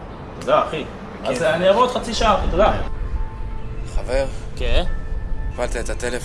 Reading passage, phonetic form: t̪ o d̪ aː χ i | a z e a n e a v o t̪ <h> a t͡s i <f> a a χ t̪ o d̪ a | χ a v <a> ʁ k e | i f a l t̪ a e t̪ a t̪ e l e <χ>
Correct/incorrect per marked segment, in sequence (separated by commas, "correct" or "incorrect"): incorrect, incorrect, incorrect, incorrect